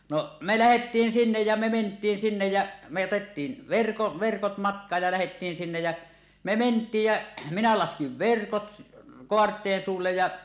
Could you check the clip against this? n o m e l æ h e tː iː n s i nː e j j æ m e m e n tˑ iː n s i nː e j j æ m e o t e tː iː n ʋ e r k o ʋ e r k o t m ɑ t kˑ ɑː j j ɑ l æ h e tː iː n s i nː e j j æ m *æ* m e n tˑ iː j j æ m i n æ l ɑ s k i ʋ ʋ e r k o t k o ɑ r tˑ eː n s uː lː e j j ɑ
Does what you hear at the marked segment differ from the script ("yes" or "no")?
yes